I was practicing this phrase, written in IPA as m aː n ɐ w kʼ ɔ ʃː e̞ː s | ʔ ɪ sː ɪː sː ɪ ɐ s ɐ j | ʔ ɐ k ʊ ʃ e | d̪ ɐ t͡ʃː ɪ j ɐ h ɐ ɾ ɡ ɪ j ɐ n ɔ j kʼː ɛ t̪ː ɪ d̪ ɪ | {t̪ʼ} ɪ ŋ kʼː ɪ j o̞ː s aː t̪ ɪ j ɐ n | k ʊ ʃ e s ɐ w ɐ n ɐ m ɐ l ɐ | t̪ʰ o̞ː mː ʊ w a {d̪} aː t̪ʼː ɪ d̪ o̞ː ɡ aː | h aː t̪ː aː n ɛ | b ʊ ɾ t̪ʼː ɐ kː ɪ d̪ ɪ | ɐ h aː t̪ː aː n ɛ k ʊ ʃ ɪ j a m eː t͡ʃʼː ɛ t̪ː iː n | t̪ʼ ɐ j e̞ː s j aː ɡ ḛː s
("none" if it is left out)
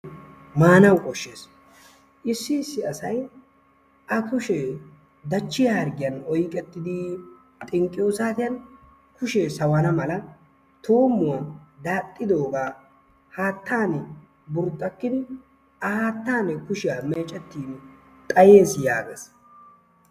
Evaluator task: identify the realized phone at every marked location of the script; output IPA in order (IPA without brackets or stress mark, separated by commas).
t̪ʼ, d̪